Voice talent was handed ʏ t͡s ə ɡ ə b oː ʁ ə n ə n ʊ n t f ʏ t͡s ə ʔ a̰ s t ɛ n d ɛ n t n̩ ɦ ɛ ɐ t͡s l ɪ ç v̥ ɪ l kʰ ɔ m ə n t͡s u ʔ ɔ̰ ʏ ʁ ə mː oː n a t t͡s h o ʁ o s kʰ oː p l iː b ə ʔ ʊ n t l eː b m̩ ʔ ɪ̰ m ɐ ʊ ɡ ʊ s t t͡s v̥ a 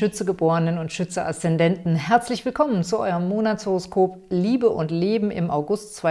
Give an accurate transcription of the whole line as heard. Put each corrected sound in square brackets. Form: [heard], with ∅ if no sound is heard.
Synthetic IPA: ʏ t͡s ə ɡ ə b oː ʁ ə n ə n ʊ n t [ʃ] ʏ t͡s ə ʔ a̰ s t ɛ n d ɛ n t n̩ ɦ ɛ ɐ t͡s l ɪ ç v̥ ɪ l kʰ ɔ m ə n t͡s u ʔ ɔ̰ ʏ ʁ ə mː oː n a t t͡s h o ʁ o s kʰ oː p l iː b ə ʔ ʊ n t l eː b m̩ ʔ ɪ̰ m [a] ʊ ɡ ʊ s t t͡s v̥ a